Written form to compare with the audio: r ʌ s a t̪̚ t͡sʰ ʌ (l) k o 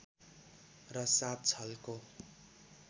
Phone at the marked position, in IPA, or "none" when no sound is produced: l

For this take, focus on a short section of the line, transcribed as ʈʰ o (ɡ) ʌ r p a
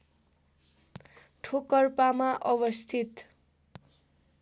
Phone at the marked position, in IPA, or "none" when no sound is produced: k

